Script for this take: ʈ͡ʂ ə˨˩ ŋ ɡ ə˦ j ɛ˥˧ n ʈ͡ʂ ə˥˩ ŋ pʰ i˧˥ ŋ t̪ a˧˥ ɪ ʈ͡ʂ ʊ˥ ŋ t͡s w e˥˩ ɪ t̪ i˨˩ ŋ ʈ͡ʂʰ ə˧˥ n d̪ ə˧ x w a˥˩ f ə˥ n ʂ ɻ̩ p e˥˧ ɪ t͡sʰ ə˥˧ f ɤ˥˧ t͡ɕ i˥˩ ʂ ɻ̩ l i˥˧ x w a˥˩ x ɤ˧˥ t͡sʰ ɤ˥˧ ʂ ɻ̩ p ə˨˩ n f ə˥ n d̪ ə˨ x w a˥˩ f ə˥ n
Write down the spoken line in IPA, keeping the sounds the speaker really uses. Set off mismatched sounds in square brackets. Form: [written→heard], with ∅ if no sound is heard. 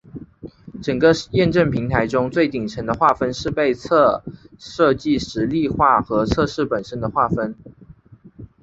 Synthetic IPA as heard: ʈ͡ʂ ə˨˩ ŋ ɡ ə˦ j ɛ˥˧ n ʈ͡ʂ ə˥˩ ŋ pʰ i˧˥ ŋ [t̪→t̪ʰ] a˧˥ ɪ ʈ͡ʂ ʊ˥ ŋ t͡s w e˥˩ ɪ t̪ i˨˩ ŋ ʈ͡ʂʰ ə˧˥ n d̪ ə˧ x w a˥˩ f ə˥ n ʂ ɻ̩ p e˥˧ ɪ t͡sʰ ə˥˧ [f→ʂ] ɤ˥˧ t͡ɕ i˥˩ ʂ ɻ̩ l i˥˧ x w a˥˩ x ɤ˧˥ t͡sʰ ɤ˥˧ ʂ ɻ̩ p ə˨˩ n [f→ʂ] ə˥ n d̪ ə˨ x w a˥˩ f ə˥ n